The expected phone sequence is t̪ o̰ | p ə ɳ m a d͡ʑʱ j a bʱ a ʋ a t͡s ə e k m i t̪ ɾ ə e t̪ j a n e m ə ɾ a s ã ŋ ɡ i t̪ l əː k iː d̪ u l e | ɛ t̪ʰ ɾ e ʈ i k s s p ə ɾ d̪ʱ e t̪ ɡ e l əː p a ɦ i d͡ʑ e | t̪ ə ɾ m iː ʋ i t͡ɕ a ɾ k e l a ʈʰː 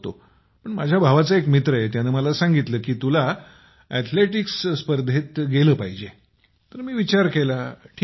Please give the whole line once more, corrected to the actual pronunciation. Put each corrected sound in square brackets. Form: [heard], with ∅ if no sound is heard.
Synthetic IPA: t̪ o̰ | p ə ɳ m a d͡ʑʱ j a bʱ a ʋ a t͡s ə e k m i t̪ ɾ ə e t̪ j a n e m ə [l] a s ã ŋ ɡ i t̪ l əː k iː [t̪] u l [a] | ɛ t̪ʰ [l] e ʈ i k s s p ə ɾ d̪ʱ e t̪ ɡ e l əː p a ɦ i d͡ʑ e | t̪ ə ɾ m iː ʋ i t͡ɕ a ɾ k e l a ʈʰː